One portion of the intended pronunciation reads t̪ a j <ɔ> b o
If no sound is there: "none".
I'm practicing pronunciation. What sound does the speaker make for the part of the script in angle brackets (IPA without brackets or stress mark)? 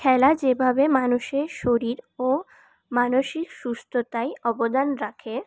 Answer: ɔ